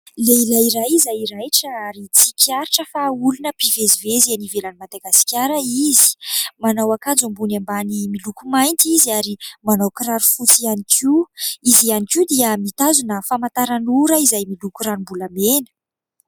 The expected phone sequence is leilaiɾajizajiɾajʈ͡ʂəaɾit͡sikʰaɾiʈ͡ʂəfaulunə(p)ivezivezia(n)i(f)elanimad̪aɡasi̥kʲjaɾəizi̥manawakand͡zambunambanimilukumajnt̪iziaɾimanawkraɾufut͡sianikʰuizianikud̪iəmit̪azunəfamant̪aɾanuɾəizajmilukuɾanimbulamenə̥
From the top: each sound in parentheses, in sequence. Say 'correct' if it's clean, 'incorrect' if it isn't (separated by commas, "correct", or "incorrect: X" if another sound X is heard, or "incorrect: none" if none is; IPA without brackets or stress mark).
correct, correct, incorrect: v